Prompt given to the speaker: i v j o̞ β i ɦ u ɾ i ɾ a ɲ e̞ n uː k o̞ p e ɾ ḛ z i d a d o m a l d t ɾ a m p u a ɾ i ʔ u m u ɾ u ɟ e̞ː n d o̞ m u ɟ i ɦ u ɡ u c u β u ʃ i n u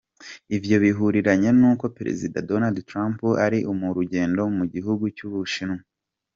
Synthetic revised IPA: i v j o̞ β i ɦ u ɾ i ɾ a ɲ e̞ n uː k o̞ p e ɾ ḛ z i d a d o n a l d t ɾ a m p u a ɾ i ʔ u m u ɾ u ɟ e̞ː n d o̞ m u ɟ i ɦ u ɡ u c u β u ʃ i n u